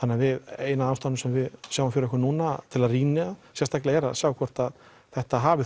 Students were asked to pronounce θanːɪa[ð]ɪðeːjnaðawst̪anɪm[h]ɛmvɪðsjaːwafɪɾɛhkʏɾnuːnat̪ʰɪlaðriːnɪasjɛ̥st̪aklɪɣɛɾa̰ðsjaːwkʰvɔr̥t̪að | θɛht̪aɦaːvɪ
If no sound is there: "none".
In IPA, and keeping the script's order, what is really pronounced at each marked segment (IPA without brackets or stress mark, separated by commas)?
v, s